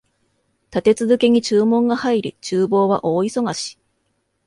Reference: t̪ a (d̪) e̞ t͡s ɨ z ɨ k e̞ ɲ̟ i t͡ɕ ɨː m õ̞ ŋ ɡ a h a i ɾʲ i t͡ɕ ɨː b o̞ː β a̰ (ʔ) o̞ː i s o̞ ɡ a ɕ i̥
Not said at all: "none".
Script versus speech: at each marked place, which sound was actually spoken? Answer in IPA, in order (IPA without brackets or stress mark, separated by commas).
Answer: t̪, ʔ